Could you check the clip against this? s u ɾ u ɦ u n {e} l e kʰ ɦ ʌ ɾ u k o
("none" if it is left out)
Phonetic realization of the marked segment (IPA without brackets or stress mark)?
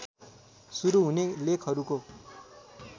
e